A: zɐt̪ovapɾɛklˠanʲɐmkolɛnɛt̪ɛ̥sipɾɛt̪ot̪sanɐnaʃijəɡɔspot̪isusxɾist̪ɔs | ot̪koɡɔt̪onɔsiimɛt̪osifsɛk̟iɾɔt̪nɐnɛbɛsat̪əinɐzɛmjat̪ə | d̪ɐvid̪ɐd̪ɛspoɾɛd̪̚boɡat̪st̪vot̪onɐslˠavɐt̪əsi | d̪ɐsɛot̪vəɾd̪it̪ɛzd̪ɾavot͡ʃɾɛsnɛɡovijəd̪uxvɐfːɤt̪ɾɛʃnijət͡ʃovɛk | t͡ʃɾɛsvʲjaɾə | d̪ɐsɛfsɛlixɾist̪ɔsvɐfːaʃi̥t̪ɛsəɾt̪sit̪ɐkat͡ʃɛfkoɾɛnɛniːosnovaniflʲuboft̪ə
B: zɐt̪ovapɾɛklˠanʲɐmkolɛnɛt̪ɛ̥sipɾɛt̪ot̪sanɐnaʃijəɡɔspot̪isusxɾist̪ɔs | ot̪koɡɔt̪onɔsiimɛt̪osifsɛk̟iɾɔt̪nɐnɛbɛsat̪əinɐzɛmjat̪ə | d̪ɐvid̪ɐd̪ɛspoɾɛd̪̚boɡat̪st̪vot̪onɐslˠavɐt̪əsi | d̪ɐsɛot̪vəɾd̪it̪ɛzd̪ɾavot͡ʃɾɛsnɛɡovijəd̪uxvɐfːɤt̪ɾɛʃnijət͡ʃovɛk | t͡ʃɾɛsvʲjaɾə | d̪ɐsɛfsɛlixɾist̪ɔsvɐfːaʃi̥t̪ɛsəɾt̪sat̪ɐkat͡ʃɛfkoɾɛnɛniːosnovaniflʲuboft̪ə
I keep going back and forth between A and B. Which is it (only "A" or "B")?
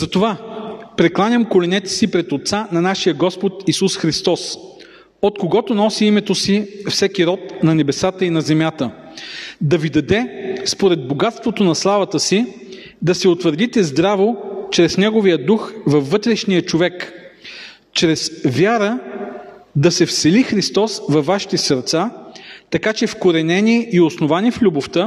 B